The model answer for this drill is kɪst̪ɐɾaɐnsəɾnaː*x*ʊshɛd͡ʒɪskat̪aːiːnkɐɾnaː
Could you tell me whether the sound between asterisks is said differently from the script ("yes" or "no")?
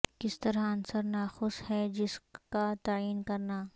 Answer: no